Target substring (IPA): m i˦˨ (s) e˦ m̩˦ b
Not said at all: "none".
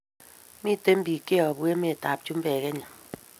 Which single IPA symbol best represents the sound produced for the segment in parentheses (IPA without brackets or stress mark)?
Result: t